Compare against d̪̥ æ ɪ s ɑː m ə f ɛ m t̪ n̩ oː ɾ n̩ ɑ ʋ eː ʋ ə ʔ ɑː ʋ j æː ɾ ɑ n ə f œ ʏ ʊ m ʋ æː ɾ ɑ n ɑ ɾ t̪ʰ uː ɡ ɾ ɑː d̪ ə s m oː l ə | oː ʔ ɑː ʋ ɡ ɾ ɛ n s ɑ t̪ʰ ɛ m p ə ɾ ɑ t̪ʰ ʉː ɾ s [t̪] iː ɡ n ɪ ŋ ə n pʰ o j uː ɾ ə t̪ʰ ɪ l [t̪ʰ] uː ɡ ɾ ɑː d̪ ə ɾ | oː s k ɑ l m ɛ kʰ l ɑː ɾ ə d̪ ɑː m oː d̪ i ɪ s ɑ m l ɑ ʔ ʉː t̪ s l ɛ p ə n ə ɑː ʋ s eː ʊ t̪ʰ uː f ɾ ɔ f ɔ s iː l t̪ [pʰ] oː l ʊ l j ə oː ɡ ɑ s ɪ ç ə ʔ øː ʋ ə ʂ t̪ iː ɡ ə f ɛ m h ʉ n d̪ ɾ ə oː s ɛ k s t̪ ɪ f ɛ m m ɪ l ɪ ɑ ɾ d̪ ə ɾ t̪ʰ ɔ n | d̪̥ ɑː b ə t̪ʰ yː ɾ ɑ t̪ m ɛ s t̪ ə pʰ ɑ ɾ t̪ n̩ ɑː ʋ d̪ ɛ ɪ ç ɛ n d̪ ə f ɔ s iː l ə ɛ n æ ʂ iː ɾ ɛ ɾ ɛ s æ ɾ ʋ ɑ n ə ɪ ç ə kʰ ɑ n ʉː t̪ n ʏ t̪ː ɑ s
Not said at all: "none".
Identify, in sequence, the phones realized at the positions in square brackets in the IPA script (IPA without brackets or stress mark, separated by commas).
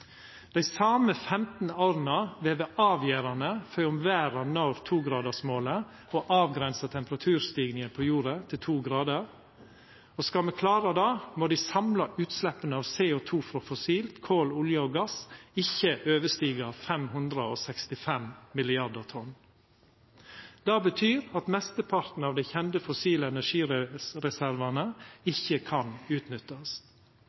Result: t̪, t̪ʰ, kʰ